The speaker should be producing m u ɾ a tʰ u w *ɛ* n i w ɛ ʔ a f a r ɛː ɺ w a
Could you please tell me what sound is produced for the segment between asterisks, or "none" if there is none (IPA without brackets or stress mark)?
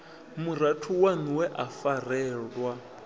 a